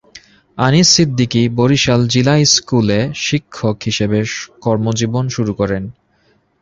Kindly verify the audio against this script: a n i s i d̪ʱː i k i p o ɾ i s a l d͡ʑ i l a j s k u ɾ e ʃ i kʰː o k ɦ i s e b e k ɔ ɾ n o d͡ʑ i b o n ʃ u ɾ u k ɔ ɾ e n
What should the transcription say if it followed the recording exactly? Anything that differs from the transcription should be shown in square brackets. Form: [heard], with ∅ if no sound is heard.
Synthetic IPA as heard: a n i s i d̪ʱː i k i [b] o ɾ i [ʃ] a l d͡ʑ i l a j s k u [l] e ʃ i kʰː o k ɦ i [ʃ] e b e k ɔ ɾ [m] o d͡ʑ i b o n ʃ u ɾ u k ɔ ɾ e n

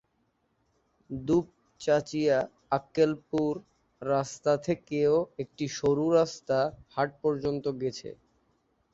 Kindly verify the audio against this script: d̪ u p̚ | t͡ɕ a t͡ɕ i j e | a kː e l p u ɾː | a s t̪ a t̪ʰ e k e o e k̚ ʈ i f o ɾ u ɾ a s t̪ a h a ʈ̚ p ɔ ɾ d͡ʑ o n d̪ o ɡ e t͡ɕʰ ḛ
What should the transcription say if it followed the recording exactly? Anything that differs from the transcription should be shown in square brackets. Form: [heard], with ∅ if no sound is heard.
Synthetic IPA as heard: d̪ u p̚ | t͡ɕ a t͡ɕ i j [a] | a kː e l p u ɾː | a s t̪ a t̪ʰ e k e o e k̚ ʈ i [ʃ] o ɾ u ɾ a s t̪ a h a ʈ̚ p ɔ ɾ d͡ʑ o n [t̪] o ɡ e t͡ɕʰ ḛ

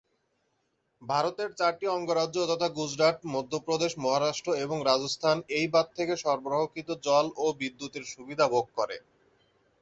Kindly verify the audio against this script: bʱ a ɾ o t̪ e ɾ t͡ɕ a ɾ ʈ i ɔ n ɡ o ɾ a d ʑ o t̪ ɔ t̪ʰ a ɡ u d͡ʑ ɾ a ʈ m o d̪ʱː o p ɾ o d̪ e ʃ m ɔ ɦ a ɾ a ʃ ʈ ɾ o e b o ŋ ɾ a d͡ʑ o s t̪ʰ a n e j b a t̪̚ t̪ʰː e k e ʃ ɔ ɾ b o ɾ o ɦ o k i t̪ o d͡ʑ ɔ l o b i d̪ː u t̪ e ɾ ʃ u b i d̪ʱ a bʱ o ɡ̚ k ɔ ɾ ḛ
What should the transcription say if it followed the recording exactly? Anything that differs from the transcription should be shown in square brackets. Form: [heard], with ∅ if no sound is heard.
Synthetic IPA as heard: bʱ a ɾ o t̪ e ɾ t͡ɕ a ɾ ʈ i ɔ [ŋ] ɡ o ɾ a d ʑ o t̪ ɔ t̪ʰ a ɡ u d͡ʑ ɾ a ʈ m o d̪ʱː o p ɾ o d̪ e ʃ m ɔ ɦ a ɾ a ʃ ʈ ɾ o e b o ŋ ɾ a d͡ʑ o s t̪ʰ a n e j b a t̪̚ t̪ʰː e k e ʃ ɔ ɾ b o ɾ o ɦ o k i t̪ o d͡ʑ ɔ l o b i d̪ː u t̪ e ɾ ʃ u b i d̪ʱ a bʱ o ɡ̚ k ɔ ɾ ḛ

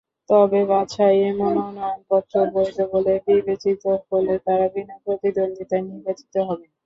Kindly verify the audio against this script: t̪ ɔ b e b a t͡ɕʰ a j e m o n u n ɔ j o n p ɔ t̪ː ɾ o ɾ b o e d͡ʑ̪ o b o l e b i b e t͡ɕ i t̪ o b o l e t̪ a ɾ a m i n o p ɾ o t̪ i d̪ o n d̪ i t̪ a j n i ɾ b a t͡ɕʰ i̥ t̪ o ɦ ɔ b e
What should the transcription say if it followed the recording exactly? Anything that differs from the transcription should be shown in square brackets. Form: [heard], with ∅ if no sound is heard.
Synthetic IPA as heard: t̪ ɔ b e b a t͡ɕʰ a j e m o n [o] n ɔ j o n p ɔ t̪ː ɾ o ɾ b o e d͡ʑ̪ o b o l e b i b e t͡ɕ i t̪ o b o l e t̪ a ɾ a [b] i n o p ɾ o t̪ i d̪ o n d̪ i t̪ a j n i ɾ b a [t͡ɕ] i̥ t̪ o ɦ ɔ b e

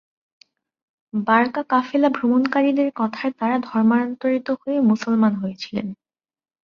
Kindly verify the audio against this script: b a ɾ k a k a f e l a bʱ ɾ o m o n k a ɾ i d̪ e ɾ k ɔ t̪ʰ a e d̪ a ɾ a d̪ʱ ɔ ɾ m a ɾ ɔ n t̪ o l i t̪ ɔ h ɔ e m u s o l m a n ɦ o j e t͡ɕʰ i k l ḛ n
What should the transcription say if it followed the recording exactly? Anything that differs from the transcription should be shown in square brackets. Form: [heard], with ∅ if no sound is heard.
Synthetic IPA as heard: b a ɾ k a k a f e l a bʱ ɾ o m o n k a ɾ i d̪ e ɾ k ɔ t̪ʰ a e [t̪] a ɾ a d̪ʱ ɔ ɾ m a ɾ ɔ n t̪ o [ɾ] i t̪ [o] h [o] e m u s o l m a n ɦ o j e t͡ɕʰ i [∅] l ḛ n

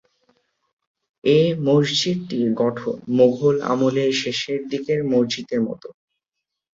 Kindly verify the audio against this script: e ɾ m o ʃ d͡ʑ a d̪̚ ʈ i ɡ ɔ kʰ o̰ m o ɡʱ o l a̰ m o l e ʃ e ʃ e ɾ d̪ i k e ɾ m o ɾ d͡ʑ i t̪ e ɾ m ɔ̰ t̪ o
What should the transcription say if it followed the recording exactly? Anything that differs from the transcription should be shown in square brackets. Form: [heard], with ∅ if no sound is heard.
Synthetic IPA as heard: e [∅] m o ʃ d͡ʑ [i] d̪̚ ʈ i ɡ ɔ [ʈʰ] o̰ m o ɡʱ o l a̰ m o l e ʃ e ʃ e ɾ d̪ i k e ɾ m o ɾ d͡ʑ i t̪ e ɾ m ɔ̰ t̪ o

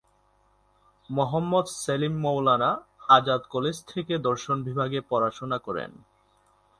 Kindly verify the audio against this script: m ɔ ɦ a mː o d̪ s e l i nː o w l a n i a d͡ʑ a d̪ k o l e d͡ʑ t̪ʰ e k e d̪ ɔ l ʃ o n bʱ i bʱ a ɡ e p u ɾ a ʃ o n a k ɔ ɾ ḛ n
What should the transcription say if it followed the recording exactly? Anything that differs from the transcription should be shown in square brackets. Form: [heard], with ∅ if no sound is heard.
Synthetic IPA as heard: m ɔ ɦ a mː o d̪ s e l i [mː] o w l a n [a] a d͡ʑ a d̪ k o l e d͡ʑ t̪ʰ e k e d̪ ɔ [ɾ] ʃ o n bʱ i bʱ a ɡ e p [ɔ] ɾ a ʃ o n a k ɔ ɾ ḛ n

